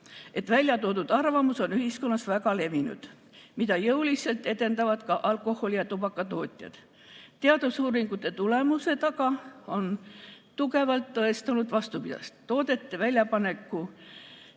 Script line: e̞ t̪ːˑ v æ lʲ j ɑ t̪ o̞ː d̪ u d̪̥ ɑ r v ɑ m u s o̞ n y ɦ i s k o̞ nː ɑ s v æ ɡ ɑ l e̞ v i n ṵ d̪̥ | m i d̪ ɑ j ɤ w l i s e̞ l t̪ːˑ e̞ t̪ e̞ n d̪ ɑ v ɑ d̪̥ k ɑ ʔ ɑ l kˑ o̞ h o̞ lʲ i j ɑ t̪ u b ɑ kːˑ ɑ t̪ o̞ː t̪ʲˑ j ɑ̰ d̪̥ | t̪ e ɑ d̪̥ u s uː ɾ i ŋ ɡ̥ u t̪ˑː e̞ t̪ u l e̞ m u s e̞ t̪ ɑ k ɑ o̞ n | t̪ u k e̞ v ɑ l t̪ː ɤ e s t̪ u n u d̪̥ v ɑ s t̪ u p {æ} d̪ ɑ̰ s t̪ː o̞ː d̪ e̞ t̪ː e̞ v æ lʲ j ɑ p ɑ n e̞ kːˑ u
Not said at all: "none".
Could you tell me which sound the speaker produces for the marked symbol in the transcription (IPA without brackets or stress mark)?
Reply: i